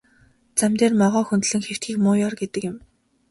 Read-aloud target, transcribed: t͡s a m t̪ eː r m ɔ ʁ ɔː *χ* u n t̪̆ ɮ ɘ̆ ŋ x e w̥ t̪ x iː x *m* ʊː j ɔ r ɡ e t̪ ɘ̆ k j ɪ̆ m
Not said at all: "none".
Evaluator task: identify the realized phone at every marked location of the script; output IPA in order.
x, m

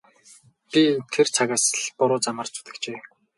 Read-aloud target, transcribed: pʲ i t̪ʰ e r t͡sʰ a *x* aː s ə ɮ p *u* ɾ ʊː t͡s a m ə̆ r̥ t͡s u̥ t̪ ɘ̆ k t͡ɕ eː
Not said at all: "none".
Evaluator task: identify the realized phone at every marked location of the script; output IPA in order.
ɣ, ʊ

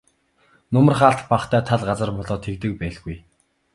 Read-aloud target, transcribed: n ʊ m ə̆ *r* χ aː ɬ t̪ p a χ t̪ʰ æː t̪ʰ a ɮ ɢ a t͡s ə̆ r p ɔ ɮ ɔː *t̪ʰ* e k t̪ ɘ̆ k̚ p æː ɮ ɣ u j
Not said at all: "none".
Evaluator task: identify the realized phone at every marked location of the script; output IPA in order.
r, t̪ʰ

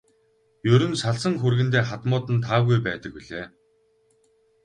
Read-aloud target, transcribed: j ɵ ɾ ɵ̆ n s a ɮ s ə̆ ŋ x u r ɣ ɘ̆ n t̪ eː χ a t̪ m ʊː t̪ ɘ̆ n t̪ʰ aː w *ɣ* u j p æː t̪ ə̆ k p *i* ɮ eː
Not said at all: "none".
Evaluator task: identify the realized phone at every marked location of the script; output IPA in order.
ɣ, i

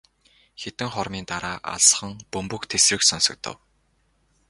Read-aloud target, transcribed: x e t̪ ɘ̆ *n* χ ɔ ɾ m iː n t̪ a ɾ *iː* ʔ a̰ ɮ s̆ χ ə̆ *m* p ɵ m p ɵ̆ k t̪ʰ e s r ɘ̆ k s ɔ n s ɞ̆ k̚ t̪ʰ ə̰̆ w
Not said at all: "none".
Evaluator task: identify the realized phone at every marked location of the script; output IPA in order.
ŋ, aː, ŋ

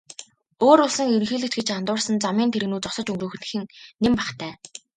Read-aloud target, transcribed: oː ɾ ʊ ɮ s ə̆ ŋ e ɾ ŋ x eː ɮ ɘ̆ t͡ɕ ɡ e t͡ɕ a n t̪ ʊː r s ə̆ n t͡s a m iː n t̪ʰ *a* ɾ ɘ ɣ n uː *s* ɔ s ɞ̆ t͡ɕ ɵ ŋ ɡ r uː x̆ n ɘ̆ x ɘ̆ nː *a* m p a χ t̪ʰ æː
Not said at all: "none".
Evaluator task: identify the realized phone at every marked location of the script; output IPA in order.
e, t͡s, e

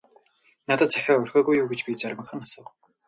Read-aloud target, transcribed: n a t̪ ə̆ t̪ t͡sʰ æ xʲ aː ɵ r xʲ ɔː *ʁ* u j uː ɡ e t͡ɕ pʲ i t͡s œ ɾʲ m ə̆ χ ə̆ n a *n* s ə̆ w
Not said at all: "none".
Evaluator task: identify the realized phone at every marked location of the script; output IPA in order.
ɣ, none

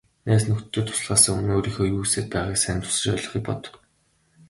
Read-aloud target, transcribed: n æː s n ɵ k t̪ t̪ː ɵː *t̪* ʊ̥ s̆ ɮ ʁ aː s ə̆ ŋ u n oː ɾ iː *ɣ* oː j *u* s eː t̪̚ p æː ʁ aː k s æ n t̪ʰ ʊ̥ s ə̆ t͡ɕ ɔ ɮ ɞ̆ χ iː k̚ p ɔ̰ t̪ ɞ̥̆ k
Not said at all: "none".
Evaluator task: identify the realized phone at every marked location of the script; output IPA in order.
t̪ʰ, x, uː

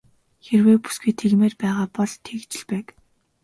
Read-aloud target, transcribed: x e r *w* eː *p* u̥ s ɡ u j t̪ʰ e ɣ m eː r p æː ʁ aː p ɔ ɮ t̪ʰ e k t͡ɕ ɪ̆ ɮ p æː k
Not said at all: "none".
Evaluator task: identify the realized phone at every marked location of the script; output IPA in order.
w, p

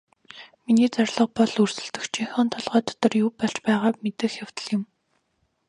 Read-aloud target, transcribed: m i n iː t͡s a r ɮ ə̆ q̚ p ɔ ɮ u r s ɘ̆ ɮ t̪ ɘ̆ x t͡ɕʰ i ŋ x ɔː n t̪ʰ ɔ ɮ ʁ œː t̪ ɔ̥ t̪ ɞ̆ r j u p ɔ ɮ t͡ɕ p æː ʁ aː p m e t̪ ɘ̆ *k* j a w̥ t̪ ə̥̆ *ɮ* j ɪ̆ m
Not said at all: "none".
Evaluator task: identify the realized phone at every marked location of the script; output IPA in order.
x, ɮ

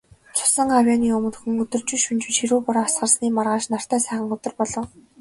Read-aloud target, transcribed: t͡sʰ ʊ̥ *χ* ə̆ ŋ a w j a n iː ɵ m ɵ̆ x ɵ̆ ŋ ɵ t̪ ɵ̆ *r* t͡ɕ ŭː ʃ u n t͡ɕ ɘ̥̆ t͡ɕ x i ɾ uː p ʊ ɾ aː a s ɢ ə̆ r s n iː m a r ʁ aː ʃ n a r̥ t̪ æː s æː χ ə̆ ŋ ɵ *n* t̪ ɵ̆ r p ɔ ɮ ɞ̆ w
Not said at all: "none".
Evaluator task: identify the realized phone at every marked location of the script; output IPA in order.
s, r, none

